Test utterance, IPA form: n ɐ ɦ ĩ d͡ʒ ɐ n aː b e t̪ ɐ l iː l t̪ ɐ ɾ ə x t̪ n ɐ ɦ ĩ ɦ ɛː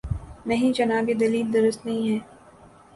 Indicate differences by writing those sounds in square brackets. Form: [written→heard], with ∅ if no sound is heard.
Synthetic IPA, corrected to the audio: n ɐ ɦ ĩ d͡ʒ ɐ n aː b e [t̪→d̪] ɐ l iː l [t̪→d̪] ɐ ɾ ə [x→s] t̪ n ɐ ɦ ĩ ɦ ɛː